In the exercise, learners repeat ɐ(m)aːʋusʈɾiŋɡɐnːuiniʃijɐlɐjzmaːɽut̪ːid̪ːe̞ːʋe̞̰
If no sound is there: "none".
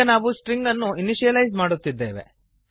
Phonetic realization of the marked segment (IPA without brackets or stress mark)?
n